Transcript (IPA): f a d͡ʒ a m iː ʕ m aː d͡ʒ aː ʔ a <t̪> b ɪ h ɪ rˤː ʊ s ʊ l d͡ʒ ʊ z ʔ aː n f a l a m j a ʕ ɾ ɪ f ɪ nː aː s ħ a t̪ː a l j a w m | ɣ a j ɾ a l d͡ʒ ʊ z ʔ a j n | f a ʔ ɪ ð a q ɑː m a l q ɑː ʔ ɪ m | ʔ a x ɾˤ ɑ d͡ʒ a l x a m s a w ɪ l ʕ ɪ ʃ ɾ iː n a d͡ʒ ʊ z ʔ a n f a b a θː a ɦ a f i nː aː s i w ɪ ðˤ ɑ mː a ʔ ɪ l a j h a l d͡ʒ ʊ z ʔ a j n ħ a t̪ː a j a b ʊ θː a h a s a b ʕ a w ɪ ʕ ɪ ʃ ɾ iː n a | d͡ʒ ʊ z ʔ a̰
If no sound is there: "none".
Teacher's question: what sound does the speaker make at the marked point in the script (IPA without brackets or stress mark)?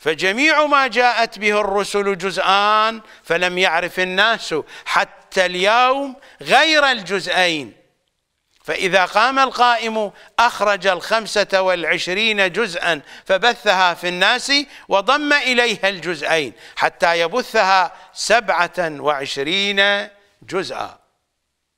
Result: t̪